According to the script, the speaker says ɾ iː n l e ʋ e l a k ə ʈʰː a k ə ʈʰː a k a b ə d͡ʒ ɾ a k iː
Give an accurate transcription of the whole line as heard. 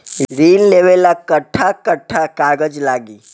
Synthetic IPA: ɾ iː n l e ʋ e l a k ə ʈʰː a k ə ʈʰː a k a ɡ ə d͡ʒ l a ɡ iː